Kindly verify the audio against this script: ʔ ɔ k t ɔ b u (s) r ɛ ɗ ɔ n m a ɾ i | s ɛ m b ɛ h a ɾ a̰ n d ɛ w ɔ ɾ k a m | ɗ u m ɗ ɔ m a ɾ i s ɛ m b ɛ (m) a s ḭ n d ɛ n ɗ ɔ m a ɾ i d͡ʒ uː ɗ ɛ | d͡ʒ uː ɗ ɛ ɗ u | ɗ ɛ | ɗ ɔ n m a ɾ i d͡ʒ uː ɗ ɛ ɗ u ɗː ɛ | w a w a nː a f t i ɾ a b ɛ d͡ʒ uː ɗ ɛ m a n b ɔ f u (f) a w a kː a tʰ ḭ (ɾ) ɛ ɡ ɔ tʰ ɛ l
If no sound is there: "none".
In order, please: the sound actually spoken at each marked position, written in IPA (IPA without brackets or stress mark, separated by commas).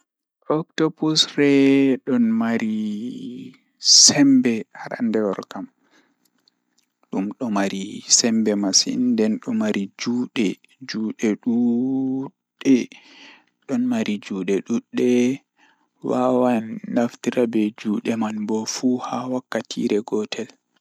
s, m, h, ɾ